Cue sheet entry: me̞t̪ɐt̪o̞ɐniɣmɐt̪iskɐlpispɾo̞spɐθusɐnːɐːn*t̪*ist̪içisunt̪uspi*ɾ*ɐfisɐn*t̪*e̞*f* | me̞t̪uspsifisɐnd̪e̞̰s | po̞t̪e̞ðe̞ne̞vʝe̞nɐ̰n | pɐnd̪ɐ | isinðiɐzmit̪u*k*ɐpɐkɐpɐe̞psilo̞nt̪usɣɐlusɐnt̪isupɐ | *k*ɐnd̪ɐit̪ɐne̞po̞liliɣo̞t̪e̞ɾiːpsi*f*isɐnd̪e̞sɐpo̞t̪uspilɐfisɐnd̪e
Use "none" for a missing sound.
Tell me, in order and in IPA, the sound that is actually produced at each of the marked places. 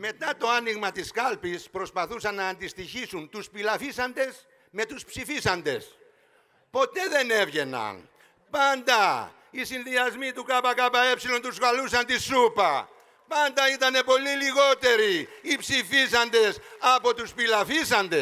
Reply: d̪, l, d̪, s, k, p, f

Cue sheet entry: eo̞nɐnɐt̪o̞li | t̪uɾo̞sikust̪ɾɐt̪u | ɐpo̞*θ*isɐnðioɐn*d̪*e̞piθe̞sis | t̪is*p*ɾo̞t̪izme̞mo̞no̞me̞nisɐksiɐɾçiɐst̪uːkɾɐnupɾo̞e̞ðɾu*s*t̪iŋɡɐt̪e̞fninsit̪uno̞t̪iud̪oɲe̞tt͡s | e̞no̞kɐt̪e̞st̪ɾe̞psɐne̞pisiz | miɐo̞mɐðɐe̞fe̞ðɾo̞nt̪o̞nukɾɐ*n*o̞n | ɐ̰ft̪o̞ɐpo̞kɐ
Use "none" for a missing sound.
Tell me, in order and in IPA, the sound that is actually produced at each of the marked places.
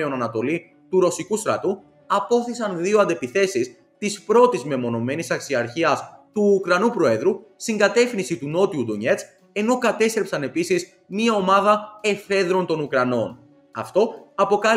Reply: θ, d̪, p, s, n

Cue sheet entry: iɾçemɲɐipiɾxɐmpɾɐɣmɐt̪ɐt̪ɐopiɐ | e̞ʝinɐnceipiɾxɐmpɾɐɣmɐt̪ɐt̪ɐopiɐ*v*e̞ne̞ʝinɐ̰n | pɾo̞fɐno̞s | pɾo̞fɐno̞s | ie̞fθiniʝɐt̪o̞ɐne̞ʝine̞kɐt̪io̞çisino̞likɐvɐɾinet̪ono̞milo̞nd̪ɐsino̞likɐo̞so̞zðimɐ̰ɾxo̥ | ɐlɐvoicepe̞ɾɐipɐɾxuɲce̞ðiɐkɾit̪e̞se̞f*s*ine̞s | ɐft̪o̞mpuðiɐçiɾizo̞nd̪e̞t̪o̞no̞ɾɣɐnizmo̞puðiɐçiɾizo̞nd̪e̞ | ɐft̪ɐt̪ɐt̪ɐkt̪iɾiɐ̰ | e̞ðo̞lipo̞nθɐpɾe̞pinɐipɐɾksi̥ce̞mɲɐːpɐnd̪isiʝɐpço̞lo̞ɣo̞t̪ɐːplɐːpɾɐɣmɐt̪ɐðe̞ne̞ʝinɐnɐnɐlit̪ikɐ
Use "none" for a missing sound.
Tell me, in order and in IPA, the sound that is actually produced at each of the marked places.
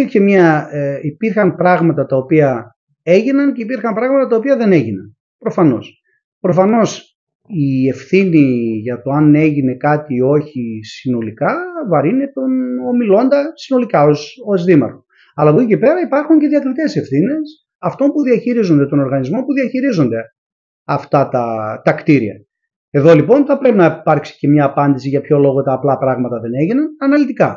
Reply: ð, θ

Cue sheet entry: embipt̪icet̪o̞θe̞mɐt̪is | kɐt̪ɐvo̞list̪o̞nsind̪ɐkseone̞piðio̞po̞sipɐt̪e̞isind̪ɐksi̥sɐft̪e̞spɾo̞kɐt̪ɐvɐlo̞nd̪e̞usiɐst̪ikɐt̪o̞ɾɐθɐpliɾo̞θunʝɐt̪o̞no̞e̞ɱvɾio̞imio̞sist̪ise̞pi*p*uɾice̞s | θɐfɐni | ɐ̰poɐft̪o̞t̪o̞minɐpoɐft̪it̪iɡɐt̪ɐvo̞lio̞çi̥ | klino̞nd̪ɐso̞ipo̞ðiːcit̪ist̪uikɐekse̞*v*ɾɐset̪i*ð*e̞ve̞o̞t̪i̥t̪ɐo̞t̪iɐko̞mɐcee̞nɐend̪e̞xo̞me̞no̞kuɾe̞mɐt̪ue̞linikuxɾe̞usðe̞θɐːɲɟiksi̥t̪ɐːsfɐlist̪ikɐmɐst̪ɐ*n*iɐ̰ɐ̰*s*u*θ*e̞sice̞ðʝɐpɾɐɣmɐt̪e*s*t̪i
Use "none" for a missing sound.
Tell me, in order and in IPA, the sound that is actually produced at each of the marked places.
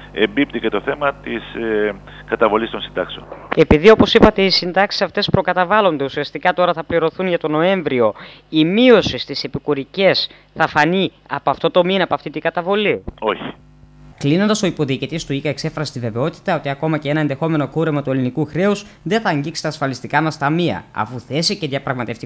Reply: k, f, v, m, f, θ, f

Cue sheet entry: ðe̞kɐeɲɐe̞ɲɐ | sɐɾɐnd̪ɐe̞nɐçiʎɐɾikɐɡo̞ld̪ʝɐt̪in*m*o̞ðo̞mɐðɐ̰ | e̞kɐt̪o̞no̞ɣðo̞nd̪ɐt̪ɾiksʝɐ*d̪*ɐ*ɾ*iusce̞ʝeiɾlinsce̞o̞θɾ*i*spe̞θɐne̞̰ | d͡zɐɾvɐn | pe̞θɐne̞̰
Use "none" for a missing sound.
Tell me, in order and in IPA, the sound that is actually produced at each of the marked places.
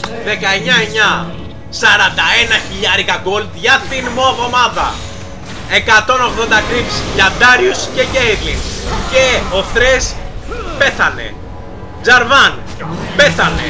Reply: m, d̪, ɾ, e

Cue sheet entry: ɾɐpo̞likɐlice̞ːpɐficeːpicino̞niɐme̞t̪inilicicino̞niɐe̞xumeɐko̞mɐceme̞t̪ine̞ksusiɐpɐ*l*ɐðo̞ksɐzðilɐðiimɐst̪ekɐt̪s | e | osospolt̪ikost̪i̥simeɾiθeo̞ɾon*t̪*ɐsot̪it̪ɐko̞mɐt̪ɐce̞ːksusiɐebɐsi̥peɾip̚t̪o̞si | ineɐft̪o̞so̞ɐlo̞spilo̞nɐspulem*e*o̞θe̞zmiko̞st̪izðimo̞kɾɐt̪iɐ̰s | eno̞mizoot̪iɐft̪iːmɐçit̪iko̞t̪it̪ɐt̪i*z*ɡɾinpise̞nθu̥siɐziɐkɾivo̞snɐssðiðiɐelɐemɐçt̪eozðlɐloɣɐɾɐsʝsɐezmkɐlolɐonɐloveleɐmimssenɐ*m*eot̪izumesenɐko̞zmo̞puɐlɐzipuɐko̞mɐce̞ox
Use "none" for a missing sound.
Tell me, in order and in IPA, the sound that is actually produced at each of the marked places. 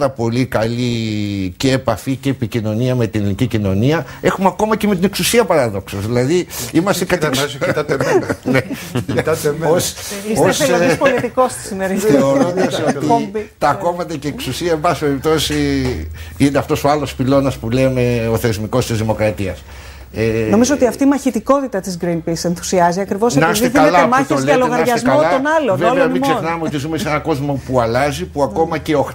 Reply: ɾ, d̪, e, z, m

